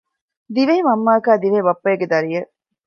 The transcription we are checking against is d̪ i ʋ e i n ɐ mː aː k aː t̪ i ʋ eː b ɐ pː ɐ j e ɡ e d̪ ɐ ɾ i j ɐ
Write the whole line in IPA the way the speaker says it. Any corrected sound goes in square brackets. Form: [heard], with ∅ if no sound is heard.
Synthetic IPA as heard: d̪ i ʋ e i [m] ɐ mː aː k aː [d̪] i ʋ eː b ɐ pː ɐ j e ɡ e d̪ ɐ ɾ i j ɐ